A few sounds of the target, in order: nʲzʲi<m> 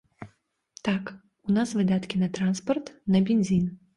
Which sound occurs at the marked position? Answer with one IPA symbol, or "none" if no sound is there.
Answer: n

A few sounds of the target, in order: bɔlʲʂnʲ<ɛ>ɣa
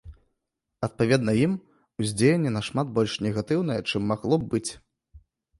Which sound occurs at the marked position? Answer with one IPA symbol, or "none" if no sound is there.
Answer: ɛ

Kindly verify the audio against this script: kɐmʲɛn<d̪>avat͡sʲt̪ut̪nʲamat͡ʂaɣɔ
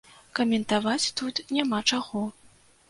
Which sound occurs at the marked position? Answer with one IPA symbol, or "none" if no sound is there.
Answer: t̪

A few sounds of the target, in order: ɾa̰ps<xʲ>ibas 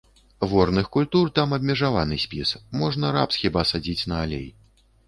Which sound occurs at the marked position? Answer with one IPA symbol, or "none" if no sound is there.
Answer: xʲ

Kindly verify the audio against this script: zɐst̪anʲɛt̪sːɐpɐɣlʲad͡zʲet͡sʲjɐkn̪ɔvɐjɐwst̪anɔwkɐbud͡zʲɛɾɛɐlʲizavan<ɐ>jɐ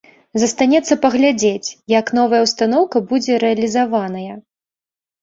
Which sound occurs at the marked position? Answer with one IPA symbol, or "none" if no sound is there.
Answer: ɐ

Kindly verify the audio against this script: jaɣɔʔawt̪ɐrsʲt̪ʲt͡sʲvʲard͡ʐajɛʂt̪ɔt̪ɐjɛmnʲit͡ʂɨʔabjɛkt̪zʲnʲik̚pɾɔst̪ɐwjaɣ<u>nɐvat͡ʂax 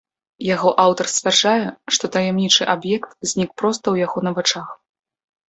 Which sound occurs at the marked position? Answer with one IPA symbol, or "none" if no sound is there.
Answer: ɔ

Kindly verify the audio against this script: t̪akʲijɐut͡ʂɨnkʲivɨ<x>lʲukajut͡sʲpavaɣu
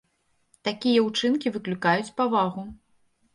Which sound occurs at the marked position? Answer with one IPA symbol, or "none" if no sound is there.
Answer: k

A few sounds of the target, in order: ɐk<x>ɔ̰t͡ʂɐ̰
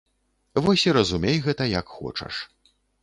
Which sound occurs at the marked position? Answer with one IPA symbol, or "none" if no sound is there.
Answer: x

